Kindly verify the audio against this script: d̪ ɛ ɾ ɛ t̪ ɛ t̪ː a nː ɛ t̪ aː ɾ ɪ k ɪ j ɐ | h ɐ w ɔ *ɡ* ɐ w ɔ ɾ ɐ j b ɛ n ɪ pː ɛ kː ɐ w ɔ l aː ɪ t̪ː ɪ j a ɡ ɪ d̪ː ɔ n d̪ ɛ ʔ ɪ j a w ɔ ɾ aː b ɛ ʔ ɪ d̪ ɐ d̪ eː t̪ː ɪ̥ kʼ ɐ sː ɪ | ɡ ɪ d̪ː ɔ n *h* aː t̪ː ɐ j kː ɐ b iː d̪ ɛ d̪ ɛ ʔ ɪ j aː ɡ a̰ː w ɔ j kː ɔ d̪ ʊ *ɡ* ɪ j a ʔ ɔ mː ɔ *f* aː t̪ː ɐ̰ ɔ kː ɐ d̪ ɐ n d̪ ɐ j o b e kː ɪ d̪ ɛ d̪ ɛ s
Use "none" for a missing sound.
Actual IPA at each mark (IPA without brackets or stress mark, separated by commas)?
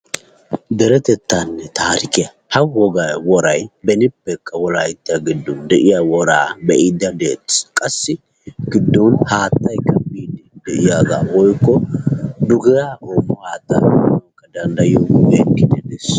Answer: ɡ, h, ɡ, h